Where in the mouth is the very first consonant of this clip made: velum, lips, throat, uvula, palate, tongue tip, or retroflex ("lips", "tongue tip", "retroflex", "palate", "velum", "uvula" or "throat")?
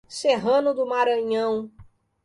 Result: tongue tip